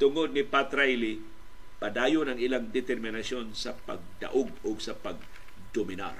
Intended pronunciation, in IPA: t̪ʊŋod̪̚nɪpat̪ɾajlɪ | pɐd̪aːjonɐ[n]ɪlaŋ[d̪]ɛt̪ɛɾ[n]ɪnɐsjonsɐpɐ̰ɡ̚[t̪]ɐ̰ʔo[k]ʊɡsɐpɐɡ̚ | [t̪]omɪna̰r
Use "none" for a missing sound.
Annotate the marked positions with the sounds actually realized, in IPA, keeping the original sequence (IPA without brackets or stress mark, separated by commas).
ŋ, d̪, m, d̪, ɡ, d̪